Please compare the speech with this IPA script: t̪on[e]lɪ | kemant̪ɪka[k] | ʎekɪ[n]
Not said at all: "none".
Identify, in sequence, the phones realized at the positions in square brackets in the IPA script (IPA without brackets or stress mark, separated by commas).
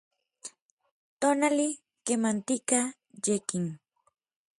a, none, ŋ